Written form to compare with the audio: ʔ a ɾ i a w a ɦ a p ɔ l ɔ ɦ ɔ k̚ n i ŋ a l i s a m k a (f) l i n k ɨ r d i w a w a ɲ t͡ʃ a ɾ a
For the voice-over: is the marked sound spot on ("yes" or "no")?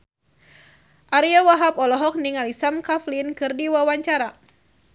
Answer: yes